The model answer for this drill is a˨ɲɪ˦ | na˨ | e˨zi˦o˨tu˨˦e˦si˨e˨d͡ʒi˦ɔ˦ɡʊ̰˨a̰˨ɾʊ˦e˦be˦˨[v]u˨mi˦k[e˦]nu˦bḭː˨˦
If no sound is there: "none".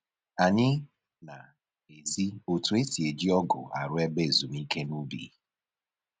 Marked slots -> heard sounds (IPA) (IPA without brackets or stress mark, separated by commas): z, e˦